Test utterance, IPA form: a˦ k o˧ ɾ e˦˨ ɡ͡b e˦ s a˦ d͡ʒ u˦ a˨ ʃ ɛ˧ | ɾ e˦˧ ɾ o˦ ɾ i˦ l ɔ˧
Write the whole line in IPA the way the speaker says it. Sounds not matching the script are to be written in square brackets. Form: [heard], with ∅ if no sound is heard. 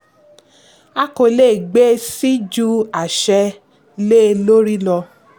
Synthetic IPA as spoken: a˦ k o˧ [l] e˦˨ ɡ͡b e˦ s [i˦] d͡ʒ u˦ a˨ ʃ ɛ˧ | [l] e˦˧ [l] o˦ ɾ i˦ l ɔ˧